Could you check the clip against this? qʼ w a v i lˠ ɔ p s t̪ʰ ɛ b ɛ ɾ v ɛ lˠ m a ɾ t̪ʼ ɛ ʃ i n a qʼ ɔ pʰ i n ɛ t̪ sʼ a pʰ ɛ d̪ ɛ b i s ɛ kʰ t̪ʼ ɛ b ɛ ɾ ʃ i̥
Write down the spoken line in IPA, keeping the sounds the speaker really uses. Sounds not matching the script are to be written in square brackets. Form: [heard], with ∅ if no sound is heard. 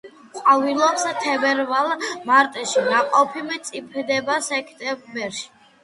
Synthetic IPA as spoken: qʼ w a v i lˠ ɔ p s t̪ʰ ɛ b ɛ ɾ v [a] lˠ m a ɾ t̪ʼ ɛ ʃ i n a qʼ ɔ pʰ i [m] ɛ t̪ sʼ [i] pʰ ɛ d̪ ɛ b [a] s ɛ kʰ t̪ʼ ɛ b ɛ ɾ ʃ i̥